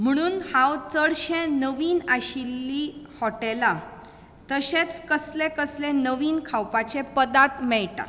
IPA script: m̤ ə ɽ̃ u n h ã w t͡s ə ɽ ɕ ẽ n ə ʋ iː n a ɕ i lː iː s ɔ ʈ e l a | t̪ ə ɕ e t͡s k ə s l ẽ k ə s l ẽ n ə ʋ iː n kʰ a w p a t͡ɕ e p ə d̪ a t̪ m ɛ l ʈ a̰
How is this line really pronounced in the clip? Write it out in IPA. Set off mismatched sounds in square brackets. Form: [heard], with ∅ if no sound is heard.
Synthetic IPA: m̤ ə ɽ̃ [uː] n h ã w t͡s ə ɽ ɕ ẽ n ə ʋ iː n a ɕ i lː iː [h] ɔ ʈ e l a | t̪ ə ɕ e t͡s k ə s l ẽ k ə s l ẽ n ə ʋ iː n kʰ a w p a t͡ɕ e p ə d̪ a t̪ m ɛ [ɭ] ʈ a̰